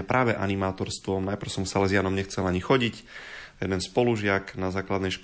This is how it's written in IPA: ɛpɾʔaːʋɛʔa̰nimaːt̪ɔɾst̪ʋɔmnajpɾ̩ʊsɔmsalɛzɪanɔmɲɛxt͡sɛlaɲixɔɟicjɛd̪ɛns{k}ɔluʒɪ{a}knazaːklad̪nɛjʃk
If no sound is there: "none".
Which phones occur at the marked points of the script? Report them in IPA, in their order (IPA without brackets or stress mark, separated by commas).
p, a